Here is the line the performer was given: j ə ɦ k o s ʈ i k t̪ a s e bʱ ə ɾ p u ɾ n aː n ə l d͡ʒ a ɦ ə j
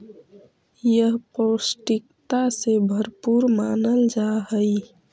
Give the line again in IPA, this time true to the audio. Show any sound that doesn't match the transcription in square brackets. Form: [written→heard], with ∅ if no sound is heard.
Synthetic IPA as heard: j ə ɦ [k→p] o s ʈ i k t̪ a s e bʱ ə ɾ p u ɾ [n→m] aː n ə l d͡ʒ a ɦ ə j